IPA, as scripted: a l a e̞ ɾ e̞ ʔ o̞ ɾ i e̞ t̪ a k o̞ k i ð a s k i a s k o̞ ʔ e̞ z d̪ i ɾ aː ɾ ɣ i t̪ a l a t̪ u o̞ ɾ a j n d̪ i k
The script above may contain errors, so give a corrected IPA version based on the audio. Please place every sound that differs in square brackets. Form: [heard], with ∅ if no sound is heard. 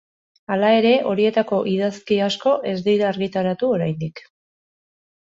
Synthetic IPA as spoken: a l a e̞ ɾ e̞ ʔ o̞ ɾ i e̞ t̪ a k o̞ [ʔ] i ð a s k i a s k o̞ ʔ e̞ z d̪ i ɾ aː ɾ ɣ i t̪ a [ɾ] a t̪ u o̞ ɾ a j n d̪ i k

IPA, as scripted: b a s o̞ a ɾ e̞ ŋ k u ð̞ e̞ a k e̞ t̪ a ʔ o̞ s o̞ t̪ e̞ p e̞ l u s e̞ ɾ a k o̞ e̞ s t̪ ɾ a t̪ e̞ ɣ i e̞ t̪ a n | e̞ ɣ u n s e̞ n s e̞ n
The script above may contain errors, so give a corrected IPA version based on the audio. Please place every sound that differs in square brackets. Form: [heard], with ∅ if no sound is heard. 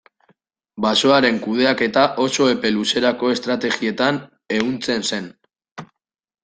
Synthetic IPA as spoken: b a s o̞ a ɾ e̞ ŋ k u ð̞ e̞ a k e̞ t̪ a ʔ o̞ s o̞ [∅] e̞ p e̞ l u s e̞ ɾ a k o̞ e̞ s t̪ ɾ a t̪ e̞ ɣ i e̞ t̪ a n | e̞ ɣ u n [t͡s] e̞ n s e̞ n

